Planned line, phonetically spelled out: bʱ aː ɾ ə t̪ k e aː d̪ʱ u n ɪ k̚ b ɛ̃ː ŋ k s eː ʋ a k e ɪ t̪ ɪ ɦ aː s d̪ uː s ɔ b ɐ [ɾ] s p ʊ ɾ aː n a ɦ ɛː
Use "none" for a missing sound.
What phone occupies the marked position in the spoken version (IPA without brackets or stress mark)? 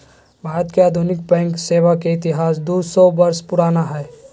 ɾ